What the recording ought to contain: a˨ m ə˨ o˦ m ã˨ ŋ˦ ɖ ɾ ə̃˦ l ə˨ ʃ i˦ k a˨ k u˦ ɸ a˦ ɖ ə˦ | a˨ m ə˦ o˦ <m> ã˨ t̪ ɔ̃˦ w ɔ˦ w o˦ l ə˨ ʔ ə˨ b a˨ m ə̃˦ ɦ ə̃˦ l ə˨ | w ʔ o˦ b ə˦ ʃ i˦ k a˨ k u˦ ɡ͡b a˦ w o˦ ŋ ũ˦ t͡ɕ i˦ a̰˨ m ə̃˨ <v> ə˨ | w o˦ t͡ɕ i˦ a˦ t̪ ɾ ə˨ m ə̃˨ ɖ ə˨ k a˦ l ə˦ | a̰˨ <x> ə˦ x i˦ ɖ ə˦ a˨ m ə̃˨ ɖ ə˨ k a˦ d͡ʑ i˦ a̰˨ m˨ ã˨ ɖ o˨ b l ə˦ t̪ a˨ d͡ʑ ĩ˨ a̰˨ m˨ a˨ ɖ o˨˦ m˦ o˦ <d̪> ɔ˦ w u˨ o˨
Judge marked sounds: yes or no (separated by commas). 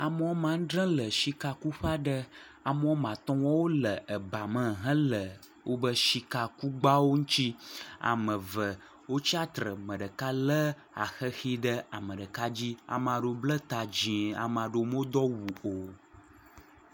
yes, yes, yes, yes